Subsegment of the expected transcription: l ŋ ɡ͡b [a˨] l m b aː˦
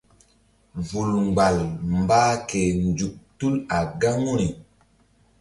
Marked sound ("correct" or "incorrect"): correct